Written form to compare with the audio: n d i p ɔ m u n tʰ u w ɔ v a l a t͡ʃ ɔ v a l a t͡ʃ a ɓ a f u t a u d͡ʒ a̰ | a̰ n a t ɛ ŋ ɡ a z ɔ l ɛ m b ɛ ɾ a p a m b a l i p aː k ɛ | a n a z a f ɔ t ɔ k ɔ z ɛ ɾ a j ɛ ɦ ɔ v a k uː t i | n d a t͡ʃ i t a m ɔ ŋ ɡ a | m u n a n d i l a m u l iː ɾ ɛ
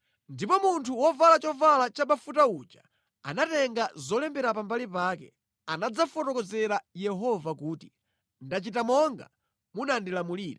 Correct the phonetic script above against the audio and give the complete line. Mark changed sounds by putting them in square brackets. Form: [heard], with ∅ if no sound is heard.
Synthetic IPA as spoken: n d i p ɔ m u n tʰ u w ɔ v a l a t͡ʃ ɔ v a l a t͡ʃ a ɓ a f u t a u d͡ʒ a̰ | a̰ n a t ɛ ŋ ɡ a z ɔ l ɛ m b ɛ ɾ a p a m b a l i p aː k ɛ | a n a [d͡z] a f ɔ t ɔ k ɔ z ɛ ɾ a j ɛ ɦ ɔ v a k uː t i | n d a t͡ʃ i t a m ɔ ŋ ɡ a | m u n a n d i l a m u l iː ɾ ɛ